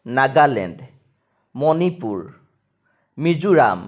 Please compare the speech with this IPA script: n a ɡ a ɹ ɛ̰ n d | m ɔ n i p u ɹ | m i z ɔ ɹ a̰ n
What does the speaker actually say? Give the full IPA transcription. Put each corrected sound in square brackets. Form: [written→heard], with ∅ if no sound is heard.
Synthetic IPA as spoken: n a ɡ a [ɹ→l] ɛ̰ n d | m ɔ n i p u ɹ | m i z [ɔ→u] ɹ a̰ [n→m]

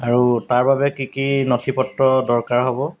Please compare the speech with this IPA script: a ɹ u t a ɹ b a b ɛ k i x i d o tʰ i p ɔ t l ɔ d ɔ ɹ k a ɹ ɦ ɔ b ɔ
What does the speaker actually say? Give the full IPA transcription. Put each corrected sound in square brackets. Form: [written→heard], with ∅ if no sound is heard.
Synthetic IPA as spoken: a ɹ u t a ɹ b a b ɛ k i [x→k] i [d→n] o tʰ i p ɔ t [l→ɹ] ɔ d ɔ ɹ k a ɹ ɦ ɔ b ɔ

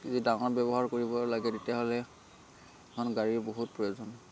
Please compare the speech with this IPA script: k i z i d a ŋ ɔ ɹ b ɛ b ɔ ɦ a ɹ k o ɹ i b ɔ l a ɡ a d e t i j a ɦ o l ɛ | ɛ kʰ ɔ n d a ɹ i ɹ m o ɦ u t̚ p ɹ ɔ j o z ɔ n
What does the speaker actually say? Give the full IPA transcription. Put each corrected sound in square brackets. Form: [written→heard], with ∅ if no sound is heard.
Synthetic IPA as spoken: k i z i d a ŋ ɔ ɹ b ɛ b ɔ ɦ a ɹ k o ɹ i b ɔ l a ɡ [a→ɛ] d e t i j a ɦ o l ɛ | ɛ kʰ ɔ n [d→ɡ] a ɹ i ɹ [m→b] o ɦ u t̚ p ɹ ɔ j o z ɔ n

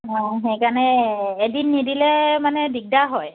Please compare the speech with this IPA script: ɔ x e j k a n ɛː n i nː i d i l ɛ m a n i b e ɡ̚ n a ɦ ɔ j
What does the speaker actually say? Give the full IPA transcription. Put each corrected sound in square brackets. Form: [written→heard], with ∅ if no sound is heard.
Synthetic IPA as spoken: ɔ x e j k a n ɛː [n→d] i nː i d i l ɛ m a n [i→ɛ] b [e→i] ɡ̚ [n→d] a ɦ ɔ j

